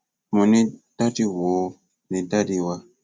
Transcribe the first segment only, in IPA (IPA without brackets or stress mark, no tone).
m